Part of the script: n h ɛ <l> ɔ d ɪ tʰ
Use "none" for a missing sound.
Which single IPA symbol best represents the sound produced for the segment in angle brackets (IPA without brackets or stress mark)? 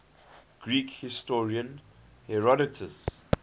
ɹ